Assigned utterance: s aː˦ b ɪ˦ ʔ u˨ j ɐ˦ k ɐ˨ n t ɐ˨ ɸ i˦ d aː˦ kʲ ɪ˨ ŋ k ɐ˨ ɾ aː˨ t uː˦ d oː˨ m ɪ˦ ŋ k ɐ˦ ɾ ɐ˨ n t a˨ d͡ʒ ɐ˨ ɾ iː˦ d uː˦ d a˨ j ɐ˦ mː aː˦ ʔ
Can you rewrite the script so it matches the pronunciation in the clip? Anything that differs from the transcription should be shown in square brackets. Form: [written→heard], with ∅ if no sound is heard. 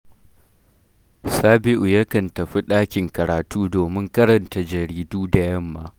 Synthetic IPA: s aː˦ b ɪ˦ ʔ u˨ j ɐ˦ k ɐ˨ n t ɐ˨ ɸ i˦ [d→ɗ] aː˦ kʲ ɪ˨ ŋ k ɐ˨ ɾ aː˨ t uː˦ d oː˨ m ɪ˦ ŋ k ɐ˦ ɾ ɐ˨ n t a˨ d͡ʒ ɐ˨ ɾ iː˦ d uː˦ d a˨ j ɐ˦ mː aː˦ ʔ